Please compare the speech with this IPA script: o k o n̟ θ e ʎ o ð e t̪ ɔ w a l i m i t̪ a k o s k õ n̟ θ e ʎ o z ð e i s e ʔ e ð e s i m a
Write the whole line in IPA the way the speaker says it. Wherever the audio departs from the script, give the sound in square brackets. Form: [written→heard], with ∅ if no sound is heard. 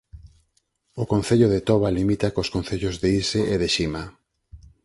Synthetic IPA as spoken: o k o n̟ θ e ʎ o ð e t̪ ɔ [w→β] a l i m i t̪ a k o s k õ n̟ θ e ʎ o z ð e i s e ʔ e ð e [s→ʃ] i m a